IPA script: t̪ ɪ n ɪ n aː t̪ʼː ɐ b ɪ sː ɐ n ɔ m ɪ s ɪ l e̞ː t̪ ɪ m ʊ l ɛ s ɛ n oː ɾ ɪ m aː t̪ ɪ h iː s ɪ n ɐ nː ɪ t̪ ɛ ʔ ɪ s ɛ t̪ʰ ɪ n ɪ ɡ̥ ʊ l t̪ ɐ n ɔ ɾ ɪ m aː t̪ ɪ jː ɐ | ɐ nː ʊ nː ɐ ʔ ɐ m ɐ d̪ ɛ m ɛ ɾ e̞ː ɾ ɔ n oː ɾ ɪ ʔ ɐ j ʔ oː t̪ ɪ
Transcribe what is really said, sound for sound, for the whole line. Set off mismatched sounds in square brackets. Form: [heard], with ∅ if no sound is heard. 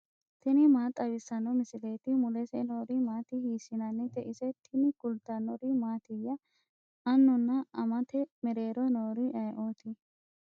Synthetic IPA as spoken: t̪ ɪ n ɪ [m] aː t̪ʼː ɐ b ɪ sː ɐ n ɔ m ɪ s ɪ l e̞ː t̪ ɪ m ʊ l ɛ s ɛ n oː ɾ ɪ m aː t̪ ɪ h iː s ɪ n ɐ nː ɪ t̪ ɛ ʔ ɪ s ɛ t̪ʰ ɪ n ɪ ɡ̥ ʊ l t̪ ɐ n ɔ ɾ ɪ m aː t̪ ɪ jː ɐ | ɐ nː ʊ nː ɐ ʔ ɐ m ɐ [t̪] ɛ m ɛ ɾ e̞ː ɾ ɔ n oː ɾ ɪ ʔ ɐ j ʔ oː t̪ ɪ